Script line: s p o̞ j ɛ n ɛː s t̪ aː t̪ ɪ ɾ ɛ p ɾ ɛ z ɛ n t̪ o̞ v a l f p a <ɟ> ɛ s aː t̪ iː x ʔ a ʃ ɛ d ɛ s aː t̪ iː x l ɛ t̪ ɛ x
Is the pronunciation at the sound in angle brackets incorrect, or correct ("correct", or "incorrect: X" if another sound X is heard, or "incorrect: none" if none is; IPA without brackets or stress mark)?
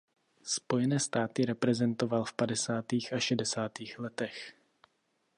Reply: incorrect: d